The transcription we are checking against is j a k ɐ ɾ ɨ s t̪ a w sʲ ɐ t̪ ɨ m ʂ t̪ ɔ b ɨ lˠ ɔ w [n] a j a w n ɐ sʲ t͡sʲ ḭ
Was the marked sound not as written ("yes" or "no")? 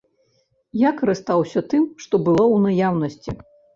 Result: no